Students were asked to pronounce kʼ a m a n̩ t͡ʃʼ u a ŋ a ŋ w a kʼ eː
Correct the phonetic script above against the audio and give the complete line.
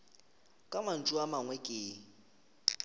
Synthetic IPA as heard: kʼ a m a n̩ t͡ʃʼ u a m a ŋ w ɛ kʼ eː